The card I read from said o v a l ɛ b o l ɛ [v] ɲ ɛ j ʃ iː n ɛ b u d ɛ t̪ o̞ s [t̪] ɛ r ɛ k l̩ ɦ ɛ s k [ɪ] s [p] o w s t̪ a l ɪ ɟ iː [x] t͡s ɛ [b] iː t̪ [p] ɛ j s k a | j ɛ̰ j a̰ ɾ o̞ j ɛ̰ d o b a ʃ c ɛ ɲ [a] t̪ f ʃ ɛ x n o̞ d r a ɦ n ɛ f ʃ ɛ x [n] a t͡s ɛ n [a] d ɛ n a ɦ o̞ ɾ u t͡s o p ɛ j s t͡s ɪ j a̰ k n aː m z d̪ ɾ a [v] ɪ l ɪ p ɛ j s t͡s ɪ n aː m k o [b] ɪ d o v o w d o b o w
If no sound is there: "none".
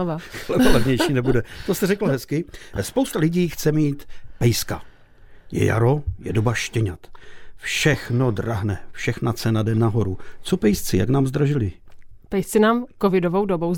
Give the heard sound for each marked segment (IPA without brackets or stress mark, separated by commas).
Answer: v, t̪, ɪ, p, x, m, p, a, n, a, ʒ, v